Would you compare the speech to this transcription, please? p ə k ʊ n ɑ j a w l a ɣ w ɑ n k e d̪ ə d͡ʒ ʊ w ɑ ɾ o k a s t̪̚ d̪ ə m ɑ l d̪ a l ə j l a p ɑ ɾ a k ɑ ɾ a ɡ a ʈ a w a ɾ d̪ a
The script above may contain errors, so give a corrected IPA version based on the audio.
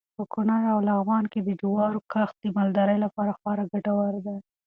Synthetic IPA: p ə k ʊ n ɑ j a w l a ɣ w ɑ n k e d̪ ə d͡ʒ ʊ w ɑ ɾ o k a x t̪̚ d̪ ə m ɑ l d̪ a ɾ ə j l a p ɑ ɾ a x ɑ ɾ a ɡ a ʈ a w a ɾ d̪ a